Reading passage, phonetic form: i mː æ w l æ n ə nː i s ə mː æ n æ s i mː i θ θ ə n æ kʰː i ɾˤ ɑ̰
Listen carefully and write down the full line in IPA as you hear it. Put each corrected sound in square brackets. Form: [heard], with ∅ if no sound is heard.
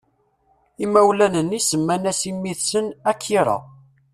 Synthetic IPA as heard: i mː æ w l æ n ə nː i s ə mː æ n æ s i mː i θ [s] ə n æ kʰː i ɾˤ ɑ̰